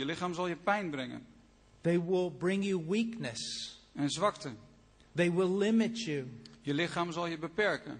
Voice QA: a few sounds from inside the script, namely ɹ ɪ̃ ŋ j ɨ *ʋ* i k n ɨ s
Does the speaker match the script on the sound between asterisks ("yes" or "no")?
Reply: no